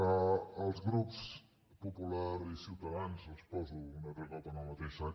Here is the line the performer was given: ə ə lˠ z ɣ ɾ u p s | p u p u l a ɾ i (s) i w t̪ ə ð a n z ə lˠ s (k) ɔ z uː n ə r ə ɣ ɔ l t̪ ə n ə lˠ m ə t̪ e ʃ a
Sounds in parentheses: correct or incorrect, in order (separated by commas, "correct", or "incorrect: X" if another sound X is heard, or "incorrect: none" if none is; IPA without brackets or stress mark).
correct, incorrect: p